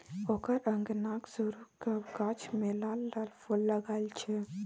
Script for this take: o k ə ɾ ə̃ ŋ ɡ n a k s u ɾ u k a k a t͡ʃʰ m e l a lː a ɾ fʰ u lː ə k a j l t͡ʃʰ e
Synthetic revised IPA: o k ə ɾ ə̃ ŋ ɡ n a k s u ɾ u k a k a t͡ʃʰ m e l a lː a l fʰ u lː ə ɡ a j l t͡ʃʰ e